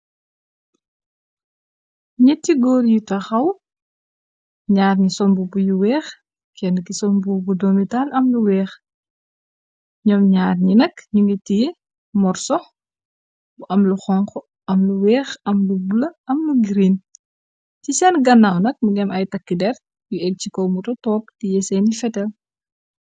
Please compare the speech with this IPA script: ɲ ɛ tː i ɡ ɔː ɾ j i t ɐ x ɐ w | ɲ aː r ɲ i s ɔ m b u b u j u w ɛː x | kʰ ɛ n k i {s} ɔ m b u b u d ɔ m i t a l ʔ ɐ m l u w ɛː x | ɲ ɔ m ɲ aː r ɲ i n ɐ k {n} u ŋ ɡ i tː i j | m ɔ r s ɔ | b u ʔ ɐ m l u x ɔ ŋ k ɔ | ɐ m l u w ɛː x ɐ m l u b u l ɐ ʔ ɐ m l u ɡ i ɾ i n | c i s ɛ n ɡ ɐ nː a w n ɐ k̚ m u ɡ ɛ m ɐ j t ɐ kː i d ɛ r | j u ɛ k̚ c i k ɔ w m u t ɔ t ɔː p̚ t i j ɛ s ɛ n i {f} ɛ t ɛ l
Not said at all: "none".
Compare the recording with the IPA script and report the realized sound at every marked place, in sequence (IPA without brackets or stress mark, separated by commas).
s, ɲ, f